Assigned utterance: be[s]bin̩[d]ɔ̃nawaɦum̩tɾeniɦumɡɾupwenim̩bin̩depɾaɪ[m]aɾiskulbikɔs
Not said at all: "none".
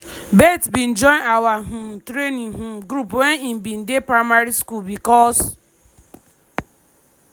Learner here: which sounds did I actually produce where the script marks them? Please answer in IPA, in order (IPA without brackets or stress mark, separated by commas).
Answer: t, d͡ʒ, m